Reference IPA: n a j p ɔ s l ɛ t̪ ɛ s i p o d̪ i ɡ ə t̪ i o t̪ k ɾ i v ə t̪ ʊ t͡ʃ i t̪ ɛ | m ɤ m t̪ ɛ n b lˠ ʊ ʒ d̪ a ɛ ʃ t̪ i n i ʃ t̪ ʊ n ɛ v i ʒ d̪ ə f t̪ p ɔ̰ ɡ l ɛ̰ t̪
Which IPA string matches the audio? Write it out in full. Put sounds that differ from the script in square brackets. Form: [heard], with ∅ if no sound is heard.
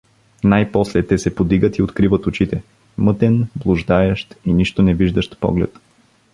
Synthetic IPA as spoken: n a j p ɔ s l ɛ t̪ ɛ s [ɛ] p o d̪ i ɡ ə t̪ i o t̪ k ɾ i v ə t̪ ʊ t͡ʃ i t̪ ɛ | m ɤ [∅] t̪ ɛ n b lˠ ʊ ʒ d̪ a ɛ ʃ t̪ i n i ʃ t̪ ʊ n ɛ v i ʒ d̪ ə [ʃ] t̪ p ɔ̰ ɡ l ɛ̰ t̪

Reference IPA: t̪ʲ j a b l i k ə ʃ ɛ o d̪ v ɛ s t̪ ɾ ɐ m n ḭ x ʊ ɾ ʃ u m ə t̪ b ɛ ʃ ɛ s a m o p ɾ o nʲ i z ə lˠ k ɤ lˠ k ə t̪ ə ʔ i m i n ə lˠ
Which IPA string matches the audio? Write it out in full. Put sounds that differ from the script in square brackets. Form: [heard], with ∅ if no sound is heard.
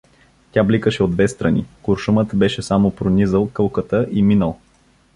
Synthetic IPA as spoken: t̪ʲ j a b l i k ə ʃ ɛ o d̪ v ɛ s t̪ ɾ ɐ [∅] n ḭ [k] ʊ ɾ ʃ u m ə t̪ b ɛ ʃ ɛ s a m o p ɾ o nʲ i z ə lˠ k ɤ lˠ k ə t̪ ə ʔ i m i n ə lˠ

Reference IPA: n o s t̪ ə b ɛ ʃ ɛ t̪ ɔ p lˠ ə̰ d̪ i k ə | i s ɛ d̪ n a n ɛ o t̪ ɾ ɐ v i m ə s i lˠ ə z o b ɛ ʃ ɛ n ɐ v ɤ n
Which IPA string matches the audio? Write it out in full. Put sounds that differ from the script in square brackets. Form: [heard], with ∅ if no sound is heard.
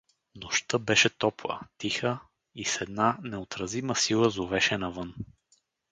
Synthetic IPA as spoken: n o [ʃ] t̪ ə b ɛ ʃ ɛ t̪ ɔ p lˠ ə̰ [t̪] i [x] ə | i s ɛ d̪ n a n ɛ o t̪ ɾ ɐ [z] i m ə s i lˠ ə z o [v] ɛ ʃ ɛ n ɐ v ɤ n

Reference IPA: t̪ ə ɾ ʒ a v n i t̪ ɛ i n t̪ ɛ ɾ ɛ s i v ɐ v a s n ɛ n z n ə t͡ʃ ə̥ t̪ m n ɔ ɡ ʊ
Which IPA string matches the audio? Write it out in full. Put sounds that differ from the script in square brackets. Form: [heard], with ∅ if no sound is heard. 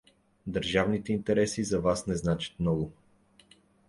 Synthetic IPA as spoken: [d̪] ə ɾ ʒ a v n i t̪ ɛ i n t̪ ɛ ɾ ɛ s i [z] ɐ v a s n ɛ [∅] z n [a] t͡ʃ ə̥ t̪ m n ɔ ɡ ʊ

